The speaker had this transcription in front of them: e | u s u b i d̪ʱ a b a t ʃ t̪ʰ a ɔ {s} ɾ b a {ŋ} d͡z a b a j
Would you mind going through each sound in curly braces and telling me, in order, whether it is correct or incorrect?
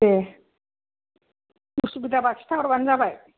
incorrect: none, incorrect: n

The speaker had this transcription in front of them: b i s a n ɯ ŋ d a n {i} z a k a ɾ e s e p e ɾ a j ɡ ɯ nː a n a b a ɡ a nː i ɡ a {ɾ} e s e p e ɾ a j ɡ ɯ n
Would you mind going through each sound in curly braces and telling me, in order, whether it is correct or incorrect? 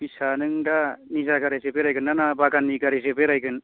correct, correct

